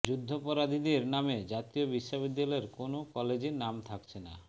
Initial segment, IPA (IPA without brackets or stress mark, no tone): d͡ʑ